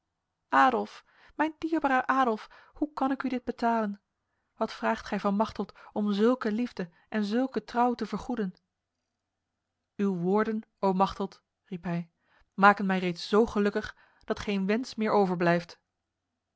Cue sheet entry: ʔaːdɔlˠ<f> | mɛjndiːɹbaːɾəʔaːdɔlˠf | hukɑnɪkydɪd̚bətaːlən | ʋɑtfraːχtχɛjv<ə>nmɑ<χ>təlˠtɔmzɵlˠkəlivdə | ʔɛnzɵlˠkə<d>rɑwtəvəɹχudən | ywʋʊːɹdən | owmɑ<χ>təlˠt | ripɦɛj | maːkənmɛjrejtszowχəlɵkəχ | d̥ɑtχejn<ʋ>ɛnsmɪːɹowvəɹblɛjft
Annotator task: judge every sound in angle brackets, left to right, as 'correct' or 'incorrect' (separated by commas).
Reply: correct, incorrect, correct, incorrect, correct, correct